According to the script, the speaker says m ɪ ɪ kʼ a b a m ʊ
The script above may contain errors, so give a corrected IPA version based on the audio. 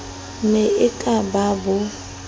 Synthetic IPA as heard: m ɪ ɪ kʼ a b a b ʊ